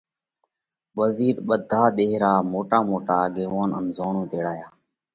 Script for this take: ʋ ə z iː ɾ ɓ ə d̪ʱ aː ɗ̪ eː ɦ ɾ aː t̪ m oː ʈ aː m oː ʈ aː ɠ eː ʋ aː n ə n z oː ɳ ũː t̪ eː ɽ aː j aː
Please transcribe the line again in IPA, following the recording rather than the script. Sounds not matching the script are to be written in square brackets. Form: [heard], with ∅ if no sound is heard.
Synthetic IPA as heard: ʋ ə z iː ɾ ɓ ə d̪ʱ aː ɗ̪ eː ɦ ɾ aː [∅] m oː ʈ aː m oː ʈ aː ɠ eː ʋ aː n ə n z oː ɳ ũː t̪ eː ɽ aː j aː